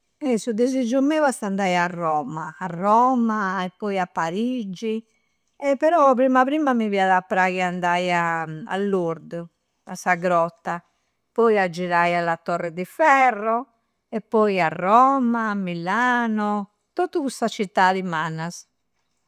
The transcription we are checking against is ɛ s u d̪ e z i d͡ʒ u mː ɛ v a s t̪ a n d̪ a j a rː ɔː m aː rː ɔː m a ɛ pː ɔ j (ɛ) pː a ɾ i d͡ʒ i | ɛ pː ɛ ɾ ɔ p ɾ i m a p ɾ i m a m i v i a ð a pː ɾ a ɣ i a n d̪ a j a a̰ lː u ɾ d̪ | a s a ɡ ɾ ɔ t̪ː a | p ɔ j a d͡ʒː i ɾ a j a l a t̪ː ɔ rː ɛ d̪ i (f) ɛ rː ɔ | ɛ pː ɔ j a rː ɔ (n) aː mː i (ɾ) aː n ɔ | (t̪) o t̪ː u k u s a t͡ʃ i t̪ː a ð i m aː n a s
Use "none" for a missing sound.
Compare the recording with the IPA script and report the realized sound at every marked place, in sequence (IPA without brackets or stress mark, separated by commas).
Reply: a, f, m, l, t̪